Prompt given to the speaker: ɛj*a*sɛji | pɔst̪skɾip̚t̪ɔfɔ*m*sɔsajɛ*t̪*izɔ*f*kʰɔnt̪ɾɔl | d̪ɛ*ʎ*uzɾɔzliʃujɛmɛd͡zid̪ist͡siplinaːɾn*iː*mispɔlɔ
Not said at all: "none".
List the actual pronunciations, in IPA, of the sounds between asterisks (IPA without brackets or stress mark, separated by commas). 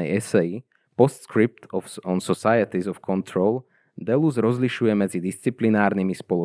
ɛ, n, t̪, f, l, i